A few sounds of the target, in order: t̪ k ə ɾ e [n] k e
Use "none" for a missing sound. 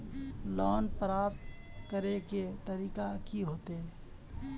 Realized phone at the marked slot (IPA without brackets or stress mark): none